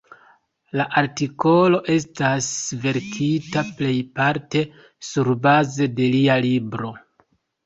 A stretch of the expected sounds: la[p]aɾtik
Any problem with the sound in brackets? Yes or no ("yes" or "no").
yes